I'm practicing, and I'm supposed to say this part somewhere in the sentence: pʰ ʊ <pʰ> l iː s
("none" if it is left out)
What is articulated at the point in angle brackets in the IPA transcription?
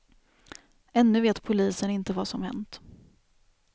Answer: none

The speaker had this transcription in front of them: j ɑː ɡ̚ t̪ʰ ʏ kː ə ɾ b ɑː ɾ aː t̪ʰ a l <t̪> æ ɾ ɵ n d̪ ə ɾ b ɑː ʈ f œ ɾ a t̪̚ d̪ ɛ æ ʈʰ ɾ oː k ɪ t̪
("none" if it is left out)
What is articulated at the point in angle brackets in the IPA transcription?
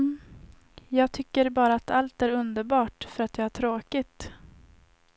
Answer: t̪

